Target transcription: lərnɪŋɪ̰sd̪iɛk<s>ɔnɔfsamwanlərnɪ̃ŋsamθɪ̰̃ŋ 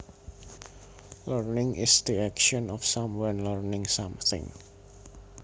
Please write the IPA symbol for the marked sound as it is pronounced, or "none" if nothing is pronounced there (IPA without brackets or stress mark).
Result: ʃ